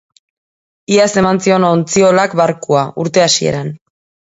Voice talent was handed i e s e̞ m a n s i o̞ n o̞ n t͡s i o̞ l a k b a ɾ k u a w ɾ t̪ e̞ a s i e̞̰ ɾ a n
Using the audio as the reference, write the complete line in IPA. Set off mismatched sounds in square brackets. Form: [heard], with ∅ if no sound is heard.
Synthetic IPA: i [a] s e̞ m a n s i o̞ n o̞ n t͡s i o̞ l a k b a ɾ k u a [u] ɾ t̪ e̞ a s i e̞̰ ɾ a n